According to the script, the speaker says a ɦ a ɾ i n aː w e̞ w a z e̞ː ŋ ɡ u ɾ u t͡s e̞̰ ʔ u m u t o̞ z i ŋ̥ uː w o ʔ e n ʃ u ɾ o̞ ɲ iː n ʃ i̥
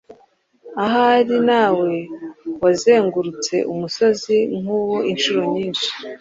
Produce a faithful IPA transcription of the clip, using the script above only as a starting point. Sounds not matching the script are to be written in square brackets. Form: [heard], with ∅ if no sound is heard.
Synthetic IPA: a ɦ a ɾ i n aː w e̞ w a z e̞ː ŋ ɡ u ɾ u t͡s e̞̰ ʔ u m u [s] o̞ z i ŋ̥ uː w o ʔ [i] n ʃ u ɾ o̞ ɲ iː n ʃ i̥